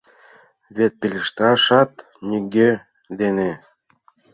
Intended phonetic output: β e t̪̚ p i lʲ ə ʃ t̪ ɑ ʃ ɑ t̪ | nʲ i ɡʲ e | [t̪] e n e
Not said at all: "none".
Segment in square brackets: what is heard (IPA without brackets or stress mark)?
d̪